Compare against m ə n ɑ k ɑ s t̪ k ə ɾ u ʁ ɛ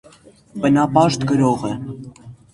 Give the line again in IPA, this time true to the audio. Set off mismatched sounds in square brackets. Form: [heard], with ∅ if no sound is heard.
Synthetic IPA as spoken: [b] ə n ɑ [p] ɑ [ʃ] t̪ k ə ɾ [ɔ] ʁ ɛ